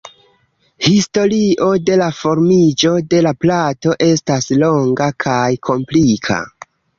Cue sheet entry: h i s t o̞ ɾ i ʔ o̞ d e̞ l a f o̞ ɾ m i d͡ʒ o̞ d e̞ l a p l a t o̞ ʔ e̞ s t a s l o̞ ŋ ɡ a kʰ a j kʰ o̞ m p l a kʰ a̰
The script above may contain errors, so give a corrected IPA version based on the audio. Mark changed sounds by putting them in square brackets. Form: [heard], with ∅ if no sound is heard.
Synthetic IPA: h i s t o̞ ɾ i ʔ o̞ d e̞ l a f o̞ ɾ m i d͡ʒ o̞ d e̞ l a p l a t o̞ ʔ e̞ s t a s l o̞ ŋ ɡ a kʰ a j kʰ o̞ m p l [i] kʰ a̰